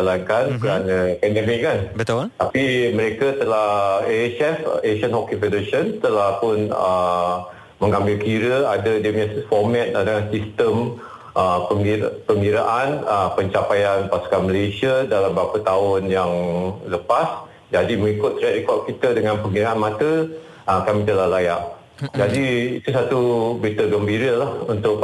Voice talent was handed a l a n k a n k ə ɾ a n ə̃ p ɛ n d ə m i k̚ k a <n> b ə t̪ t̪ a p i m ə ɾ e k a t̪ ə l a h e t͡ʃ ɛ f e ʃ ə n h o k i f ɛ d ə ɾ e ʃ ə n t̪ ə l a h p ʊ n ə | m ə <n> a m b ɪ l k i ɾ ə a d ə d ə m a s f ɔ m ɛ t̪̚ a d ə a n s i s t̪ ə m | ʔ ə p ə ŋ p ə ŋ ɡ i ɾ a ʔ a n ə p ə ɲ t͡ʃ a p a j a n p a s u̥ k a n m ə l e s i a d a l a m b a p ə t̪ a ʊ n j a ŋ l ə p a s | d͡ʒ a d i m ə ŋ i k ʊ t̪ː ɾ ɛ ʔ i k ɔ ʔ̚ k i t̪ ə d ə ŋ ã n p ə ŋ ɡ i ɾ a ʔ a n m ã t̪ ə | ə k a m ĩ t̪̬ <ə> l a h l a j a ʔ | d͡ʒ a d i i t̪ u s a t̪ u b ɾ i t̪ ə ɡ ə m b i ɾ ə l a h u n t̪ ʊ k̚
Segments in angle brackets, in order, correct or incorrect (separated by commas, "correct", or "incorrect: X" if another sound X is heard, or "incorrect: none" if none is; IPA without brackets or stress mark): correct, incorrect: ŋ, correct